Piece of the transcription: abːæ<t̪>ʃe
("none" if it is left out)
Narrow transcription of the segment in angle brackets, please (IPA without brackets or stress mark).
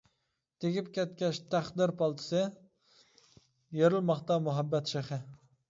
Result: t̪